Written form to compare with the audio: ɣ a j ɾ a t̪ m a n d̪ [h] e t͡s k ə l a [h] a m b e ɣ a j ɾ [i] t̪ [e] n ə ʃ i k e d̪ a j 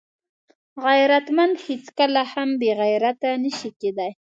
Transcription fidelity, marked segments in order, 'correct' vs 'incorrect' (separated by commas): correct, correct, incorrect, incorrect